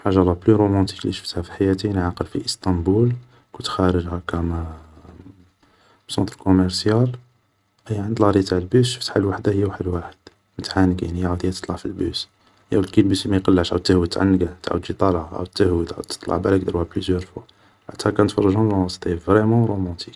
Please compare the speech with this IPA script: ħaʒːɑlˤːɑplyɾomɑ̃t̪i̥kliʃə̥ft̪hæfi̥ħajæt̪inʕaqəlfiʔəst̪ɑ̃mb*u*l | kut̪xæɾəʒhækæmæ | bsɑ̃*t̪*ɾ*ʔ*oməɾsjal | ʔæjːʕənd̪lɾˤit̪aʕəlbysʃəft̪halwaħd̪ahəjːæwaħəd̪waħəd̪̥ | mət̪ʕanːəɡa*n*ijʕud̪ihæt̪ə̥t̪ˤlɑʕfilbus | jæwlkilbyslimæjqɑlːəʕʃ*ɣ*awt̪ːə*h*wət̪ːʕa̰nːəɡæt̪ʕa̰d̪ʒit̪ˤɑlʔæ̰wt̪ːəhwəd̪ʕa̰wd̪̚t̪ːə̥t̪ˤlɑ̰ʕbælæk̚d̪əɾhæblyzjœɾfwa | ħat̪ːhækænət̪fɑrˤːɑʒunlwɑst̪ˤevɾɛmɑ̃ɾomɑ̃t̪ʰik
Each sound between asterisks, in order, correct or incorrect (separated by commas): correct, correct, incorrect, correct, incorrect, correct